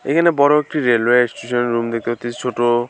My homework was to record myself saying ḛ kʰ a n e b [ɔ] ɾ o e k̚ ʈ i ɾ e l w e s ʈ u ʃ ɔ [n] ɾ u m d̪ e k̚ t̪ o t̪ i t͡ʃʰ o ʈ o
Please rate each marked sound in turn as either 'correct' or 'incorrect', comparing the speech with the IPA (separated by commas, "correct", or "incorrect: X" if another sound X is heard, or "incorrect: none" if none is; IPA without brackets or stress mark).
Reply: correct, correct